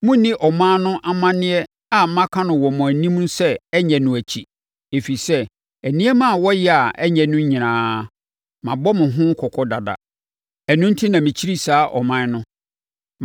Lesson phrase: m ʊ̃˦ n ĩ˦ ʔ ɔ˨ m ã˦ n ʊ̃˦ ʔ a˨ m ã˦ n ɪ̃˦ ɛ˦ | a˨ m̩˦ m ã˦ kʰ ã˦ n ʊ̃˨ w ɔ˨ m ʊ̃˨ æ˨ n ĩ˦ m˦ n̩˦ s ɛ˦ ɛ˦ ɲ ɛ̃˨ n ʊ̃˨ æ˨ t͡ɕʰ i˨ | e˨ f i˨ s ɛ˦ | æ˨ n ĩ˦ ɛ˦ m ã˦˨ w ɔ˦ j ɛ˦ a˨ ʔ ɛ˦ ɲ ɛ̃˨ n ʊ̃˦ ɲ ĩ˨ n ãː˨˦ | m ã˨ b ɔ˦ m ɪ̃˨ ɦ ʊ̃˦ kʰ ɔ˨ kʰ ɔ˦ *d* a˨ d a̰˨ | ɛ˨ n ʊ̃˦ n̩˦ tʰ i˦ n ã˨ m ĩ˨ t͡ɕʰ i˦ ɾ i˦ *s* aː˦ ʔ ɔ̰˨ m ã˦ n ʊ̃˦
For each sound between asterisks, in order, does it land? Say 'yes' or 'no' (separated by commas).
yes, yes